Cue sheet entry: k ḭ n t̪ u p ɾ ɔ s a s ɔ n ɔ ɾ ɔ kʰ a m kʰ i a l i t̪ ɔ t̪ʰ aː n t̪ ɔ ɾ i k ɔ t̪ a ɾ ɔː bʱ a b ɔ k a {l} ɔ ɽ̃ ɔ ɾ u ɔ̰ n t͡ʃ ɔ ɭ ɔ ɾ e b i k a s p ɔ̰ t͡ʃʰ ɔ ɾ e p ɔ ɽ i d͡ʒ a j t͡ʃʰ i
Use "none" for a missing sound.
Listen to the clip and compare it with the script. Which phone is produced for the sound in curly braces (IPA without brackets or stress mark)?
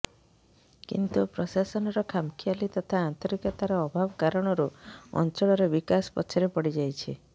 ɾ